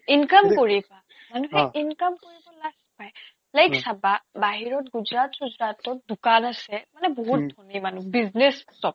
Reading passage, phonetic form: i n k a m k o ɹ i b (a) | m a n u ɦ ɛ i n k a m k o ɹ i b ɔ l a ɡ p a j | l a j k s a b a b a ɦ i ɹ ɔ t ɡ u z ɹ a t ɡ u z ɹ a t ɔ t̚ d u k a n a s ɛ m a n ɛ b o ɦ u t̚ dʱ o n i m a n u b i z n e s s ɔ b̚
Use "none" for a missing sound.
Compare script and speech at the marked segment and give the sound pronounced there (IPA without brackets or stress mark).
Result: a